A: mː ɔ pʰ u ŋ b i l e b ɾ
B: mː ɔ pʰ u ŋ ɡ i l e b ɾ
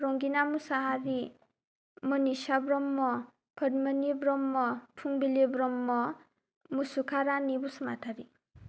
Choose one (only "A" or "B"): A